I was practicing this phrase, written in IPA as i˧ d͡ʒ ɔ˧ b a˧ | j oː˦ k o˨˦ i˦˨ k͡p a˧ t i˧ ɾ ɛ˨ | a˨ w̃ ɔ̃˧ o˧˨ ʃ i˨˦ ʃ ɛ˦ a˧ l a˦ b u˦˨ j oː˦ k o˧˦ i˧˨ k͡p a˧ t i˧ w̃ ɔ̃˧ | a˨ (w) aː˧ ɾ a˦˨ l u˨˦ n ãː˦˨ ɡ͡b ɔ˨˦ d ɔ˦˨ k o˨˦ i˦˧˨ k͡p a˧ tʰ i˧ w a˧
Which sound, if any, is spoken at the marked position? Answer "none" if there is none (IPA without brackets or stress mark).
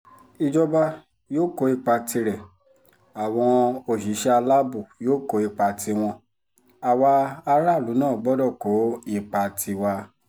w